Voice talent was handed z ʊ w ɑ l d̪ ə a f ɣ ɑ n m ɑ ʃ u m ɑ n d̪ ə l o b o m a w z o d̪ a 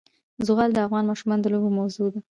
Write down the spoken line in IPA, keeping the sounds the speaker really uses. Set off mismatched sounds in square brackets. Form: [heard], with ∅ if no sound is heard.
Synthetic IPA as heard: z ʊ [ɣ] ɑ l d̪ ə a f ɣ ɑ n m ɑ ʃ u m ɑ n d̪ ə l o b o m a w z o d̪ a